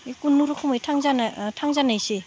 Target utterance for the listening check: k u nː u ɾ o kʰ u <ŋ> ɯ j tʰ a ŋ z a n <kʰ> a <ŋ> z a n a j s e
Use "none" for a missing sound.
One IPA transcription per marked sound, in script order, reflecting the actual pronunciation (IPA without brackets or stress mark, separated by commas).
m, tʰ, ŋ